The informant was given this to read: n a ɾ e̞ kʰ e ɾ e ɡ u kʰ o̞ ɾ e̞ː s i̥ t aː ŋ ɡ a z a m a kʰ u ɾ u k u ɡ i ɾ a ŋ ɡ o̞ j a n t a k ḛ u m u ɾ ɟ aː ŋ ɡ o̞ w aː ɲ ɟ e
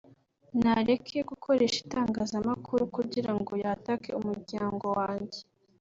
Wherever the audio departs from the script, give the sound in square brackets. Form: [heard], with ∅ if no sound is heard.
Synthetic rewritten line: n a ɾ e̞ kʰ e [∅] e ɡ u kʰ o̞ ɾ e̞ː [ʃ] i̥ t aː ŋ ɡ a z a m a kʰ u ɾ u k u [ɟ] i ɾ a ŋ ɡ o̞ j a [∅] t a k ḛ u m u ɾ ɟ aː ŋ ɡ o̞ w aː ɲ ɟ e